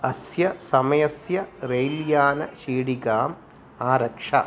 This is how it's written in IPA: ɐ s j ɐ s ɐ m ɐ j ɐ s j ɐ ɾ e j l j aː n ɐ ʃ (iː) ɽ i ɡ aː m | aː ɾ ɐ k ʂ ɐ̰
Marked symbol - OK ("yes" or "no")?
yes